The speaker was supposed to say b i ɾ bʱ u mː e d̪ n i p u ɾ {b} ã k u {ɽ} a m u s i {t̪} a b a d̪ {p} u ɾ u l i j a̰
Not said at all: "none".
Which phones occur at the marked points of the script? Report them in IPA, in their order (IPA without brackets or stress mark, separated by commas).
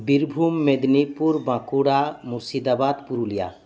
b, ɽ, d̪, p